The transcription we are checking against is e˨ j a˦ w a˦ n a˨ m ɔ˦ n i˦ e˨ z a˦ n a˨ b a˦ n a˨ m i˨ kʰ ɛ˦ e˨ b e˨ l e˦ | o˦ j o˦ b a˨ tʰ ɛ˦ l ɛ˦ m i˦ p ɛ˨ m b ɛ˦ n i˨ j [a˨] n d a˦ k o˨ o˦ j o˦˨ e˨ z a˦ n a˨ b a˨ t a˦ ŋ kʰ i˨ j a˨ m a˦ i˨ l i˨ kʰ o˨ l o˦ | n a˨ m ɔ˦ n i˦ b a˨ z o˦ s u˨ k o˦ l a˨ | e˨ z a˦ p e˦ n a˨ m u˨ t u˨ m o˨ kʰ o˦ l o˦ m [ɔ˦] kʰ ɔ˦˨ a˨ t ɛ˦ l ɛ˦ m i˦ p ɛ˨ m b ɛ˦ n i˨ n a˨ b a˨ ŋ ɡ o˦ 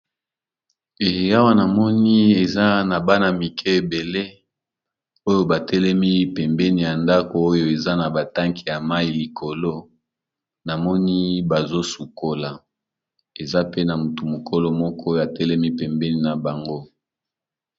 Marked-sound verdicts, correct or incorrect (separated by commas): correct, correct